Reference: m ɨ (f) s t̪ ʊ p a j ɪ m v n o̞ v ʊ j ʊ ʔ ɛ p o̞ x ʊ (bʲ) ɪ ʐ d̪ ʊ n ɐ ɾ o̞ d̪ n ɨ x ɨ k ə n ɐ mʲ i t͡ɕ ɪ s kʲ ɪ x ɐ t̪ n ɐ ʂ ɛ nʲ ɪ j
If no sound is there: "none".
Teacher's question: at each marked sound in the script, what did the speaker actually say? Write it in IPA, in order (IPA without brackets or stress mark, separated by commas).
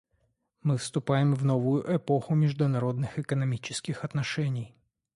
f, mʲ